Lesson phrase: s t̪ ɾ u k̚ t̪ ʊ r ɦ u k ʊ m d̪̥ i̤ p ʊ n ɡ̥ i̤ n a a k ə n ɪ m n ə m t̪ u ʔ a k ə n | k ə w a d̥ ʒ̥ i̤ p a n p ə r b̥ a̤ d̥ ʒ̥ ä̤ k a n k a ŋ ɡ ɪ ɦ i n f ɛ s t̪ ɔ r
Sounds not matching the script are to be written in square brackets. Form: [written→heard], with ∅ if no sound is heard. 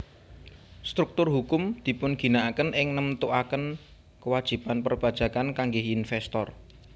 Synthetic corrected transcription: s t̪ ɾ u k̚ t̪ ʊ r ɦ u k ʊ m d̪̥ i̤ p ʊ n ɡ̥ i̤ n a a k ə n ɪ [m→ŋ] n ə m t̪ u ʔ a k ə n | k ə w a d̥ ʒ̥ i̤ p a n p ə r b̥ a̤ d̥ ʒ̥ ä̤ k a n k a ŋ ɡ ɪ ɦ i n f ɛ s t̪ ɔ r